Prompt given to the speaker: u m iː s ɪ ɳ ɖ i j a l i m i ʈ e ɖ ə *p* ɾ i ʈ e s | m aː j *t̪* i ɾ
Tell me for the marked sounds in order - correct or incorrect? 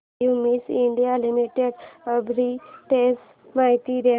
incorrect: b, correct

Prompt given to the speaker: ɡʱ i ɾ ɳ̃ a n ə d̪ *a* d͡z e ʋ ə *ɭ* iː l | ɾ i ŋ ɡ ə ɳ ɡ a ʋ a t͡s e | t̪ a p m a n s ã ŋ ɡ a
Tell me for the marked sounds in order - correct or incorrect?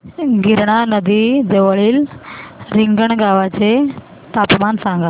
incorrect: i, correct

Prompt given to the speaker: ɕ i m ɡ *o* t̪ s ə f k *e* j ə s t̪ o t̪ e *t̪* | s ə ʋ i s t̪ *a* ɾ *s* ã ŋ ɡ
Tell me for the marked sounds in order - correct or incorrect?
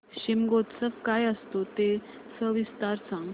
correct, incorrect: a, incorrect: none, correct, correct

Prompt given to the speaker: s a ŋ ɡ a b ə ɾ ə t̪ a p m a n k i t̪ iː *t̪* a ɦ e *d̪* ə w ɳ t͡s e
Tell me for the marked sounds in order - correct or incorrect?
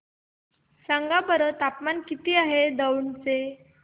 incorrect: none, correct

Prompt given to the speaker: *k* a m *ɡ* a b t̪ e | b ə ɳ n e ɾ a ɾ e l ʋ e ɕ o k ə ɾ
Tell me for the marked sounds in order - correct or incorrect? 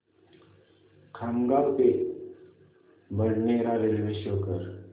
incorrect: kʰ, correct

